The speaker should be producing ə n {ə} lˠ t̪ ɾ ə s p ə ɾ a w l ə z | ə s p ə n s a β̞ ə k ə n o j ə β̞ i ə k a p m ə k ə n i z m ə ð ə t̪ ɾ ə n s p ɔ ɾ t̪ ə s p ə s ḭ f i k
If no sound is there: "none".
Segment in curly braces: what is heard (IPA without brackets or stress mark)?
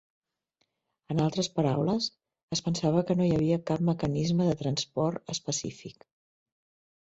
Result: a